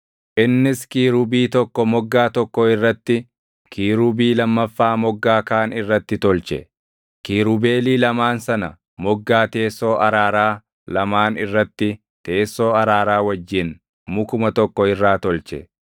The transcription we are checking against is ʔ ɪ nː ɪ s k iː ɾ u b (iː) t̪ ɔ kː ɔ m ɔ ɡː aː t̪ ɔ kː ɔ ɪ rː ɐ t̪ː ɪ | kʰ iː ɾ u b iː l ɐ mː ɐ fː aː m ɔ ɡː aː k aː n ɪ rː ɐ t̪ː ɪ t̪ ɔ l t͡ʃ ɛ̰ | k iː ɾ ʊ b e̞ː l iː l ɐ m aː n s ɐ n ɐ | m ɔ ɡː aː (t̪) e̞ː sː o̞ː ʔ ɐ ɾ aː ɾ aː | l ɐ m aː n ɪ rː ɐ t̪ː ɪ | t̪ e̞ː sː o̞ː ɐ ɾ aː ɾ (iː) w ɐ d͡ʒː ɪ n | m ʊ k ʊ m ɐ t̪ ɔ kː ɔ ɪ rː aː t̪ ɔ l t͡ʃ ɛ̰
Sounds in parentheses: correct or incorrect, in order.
correct, correct, incorrect

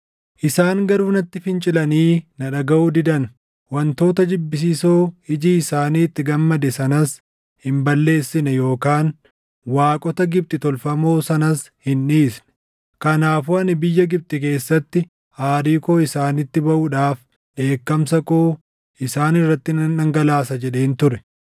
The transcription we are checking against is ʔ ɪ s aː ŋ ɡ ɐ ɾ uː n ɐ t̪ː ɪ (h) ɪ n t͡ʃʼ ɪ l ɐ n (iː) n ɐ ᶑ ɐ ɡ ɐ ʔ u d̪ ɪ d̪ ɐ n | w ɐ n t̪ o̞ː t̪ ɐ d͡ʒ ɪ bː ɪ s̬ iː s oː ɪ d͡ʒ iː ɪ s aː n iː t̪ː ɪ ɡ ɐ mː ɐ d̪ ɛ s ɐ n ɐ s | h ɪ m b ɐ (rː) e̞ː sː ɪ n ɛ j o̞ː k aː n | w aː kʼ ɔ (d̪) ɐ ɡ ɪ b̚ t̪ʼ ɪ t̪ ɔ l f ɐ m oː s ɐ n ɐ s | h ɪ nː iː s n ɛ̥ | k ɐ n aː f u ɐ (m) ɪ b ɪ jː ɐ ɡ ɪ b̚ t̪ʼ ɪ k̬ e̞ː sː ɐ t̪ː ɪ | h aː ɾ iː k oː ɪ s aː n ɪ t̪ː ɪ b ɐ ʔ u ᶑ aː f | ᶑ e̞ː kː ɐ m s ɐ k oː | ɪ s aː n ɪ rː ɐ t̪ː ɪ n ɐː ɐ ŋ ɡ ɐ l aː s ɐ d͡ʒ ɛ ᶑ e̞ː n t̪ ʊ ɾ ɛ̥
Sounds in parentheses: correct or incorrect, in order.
incorrect, correct, incorrect, incorrect, incorrect

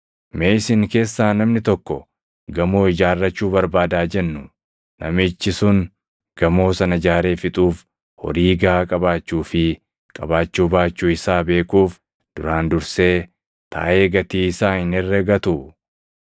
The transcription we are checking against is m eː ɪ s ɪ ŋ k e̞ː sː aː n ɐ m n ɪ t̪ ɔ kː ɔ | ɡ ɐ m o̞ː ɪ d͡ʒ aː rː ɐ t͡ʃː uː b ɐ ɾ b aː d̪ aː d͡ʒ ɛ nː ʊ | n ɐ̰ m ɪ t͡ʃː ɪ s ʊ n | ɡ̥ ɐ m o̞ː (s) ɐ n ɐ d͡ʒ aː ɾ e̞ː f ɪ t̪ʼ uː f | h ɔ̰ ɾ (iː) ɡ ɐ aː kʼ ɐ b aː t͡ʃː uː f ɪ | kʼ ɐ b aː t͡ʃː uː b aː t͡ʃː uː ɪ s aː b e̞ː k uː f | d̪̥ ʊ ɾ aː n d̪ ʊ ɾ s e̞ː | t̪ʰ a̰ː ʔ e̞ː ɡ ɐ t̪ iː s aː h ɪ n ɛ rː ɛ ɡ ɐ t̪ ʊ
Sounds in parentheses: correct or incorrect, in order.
correct, correct

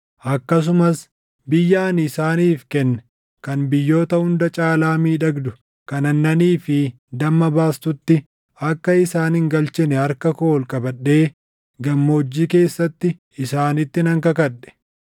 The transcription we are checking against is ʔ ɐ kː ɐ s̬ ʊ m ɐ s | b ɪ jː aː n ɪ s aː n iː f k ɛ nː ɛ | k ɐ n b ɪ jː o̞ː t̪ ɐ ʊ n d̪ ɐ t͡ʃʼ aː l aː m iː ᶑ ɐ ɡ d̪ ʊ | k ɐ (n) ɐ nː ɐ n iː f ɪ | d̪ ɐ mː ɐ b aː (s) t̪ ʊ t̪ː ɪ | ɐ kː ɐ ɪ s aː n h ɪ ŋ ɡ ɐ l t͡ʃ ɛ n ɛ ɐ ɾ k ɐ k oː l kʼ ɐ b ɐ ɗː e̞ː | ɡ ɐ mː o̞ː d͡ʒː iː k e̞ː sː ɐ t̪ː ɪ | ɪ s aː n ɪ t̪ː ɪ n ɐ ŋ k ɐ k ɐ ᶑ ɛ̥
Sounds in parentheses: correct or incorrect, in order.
correct, correct

